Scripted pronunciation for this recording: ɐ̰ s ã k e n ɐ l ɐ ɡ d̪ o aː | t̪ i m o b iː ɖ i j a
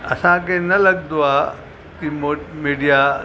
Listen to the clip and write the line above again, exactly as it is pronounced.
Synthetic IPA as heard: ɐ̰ s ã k e n ɐ l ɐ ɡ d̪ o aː | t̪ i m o m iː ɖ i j a